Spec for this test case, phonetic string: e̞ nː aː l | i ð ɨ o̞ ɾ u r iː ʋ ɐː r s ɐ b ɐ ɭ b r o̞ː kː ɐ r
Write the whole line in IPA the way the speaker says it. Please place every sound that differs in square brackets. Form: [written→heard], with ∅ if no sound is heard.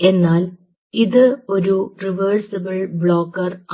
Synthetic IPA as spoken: e̞ nː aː l | i ð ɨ o̞ ɾ u r [iː→i] ʋ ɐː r s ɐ b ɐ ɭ b [r→ɭ] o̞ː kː ɐ r